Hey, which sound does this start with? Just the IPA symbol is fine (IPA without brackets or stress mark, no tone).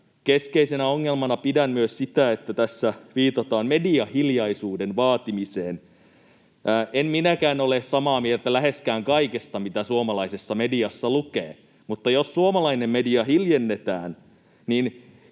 k